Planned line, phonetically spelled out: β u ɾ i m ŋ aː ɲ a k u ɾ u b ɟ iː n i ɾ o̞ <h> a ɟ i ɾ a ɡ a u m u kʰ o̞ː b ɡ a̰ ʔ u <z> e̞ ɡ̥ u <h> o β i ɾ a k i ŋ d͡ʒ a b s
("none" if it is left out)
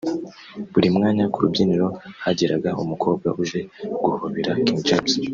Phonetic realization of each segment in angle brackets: h, ʒ, h

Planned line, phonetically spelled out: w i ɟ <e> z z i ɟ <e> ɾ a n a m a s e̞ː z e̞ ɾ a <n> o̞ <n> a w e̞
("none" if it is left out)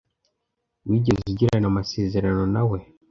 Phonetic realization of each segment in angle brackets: e, i, n, n

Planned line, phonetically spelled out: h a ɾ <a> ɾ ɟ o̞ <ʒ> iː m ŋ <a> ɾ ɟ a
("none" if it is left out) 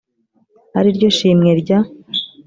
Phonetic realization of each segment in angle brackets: i, ʃ, e

